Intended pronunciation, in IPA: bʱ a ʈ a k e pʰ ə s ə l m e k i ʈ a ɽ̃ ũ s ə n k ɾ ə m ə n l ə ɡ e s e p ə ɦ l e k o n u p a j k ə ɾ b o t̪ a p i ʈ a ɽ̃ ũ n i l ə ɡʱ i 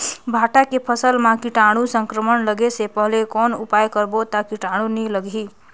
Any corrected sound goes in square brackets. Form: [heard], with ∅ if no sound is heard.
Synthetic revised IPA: bʱ a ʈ a k e pʰ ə s ə l m [a] k i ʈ a ɽ̃ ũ s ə [ŋ] k ɾ ə m ə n l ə ɡ e s e p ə ɦ l e k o n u p a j k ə ɾ b o t̪ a [k] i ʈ a ɽ̃ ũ n i l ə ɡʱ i